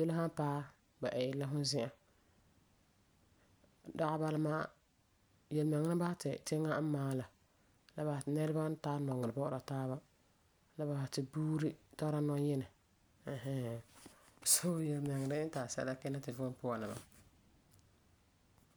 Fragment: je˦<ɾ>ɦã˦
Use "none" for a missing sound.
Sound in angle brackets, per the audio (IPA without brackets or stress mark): l